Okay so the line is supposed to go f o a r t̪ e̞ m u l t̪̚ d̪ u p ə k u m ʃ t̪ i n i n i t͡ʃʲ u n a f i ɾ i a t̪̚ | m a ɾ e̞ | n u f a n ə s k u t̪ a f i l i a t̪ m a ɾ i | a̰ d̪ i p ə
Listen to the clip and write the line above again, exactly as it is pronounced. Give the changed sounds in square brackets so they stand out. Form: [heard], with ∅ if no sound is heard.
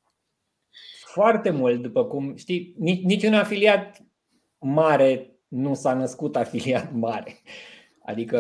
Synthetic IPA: f o a r t̪ e̞ m u l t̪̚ d̪ u p ə k u m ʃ t̪ i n i n i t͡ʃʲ u n a f i [l] i a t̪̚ | m a ɾ e̞ | n u [s] a n ə s k u t̪ a f i l i a t̪ m a ɾ [e] | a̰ d̪ i [k] ə